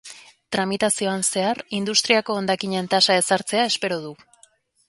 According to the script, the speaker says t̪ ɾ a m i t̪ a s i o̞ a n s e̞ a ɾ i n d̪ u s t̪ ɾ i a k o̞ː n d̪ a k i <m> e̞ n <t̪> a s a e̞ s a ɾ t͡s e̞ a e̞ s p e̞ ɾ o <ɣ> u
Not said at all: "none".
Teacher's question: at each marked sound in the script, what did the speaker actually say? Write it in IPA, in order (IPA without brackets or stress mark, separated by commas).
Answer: ɲ, t̪, ð